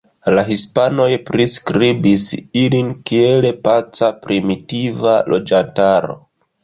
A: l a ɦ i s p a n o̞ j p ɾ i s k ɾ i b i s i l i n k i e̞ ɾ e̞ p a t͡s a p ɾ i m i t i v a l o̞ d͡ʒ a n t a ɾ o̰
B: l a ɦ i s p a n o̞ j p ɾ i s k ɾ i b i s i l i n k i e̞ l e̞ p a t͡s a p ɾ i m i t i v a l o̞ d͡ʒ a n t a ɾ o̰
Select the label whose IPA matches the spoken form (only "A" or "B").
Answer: B